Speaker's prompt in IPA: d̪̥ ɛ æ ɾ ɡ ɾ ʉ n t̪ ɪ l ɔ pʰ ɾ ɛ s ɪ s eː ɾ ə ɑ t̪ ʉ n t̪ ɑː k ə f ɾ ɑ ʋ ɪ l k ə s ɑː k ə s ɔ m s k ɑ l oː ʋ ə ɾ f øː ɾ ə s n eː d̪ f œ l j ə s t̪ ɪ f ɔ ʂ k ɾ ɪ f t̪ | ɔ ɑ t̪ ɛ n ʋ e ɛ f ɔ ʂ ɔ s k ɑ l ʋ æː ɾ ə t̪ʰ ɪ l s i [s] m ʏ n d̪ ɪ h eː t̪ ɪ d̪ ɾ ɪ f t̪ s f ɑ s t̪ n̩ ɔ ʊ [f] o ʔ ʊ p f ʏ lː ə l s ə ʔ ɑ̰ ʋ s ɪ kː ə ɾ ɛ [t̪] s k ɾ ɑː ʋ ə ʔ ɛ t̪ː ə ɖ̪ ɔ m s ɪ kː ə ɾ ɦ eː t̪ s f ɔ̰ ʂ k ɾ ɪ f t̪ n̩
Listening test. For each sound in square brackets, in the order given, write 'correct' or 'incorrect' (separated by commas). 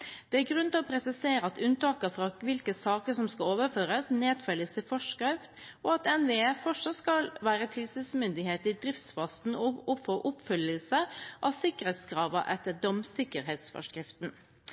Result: correct, correct, correct